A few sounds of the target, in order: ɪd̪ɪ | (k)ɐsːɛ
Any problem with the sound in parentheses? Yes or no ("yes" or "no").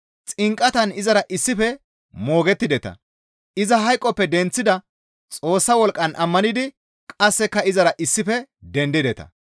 yes